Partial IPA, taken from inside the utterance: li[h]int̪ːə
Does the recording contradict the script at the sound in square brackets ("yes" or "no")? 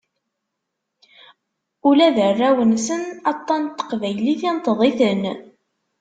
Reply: yes